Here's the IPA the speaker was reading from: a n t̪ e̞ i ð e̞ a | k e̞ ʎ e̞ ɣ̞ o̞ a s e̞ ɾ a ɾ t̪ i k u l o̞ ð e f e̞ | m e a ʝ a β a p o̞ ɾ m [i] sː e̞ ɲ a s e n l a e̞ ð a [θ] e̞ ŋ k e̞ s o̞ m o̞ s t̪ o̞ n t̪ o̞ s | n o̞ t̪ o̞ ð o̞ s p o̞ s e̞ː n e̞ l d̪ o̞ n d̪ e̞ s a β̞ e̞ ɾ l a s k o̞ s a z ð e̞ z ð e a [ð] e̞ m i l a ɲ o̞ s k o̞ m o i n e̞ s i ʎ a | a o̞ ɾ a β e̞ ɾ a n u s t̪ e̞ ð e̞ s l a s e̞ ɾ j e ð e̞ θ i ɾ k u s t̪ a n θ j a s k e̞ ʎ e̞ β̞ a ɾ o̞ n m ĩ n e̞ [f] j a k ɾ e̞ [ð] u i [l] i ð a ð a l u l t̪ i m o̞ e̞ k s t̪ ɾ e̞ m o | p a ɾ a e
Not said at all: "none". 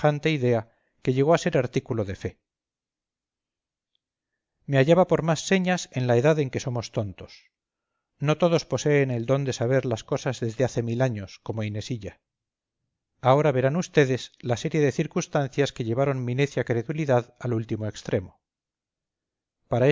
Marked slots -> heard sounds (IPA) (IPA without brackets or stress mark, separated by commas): a, ð, θ, θ, ð, l